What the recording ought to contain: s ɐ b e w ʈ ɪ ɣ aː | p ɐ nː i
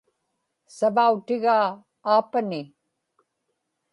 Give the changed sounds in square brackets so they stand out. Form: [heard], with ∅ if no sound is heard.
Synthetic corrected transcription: s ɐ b [a] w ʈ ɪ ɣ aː | p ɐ [n] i